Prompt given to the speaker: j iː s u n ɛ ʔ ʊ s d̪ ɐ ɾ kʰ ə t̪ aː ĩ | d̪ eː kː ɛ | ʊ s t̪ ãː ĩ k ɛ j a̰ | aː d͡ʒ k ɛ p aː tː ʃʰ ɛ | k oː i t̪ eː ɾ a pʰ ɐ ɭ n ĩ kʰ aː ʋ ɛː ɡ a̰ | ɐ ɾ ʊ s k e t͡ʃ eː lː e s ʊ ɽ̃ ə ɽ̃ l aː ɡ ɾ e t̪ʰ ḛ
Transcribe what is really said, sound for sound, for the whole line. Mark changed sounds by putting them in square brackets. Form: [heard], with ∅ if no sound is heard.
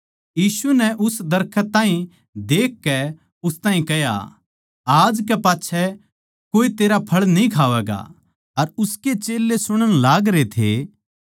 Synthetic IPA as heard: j iː s u n ɛ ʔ ʊ s d̪ ɐ ɾ kʰ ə t̪ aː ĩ | d̪ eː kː ɛ | ʊ s t̪ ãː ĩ k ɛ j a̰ | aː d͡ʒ k ɛ p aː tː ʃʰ ɛ | k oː i t̪ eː ɾ a pʰ ɐ ɭ n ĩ kʰ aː ʋ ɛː ɡ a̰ | ɐ ɾ ʊ s k e t͡ʃ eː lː e s ʊ ɽ̃ ə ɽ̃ l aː ɡ ɾ e t̪ʰ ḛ